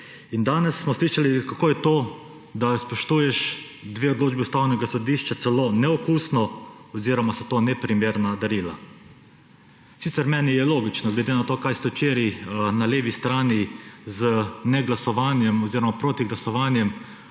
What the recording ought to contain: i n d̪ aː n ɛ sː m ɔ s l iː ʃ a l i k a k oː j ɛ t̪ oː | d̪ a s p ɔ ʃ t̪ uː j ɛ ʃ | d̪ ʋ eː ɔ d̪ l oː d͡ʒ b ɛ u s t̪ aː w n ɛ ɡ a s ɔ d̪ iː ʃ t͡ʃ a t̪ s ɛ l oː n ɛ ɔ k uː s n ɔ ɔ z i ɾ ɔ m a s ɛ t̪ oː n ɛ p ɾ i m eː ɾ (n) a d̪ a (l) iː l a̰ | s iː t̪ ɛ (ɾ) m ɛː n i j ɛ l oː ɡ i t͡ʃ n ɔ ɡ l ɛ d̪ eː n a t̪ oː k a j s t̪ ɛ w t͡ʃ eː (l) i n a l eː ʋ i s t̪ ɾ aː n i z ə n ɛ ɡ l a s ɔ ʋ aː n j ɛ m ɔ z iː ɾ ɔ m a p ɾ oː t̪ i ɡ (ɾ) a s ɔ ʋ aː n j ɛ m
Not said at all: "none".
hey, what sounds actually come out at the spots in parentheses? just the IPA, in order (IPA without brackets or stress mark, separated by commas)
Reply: n, ɾ, ɾ, ɾ, l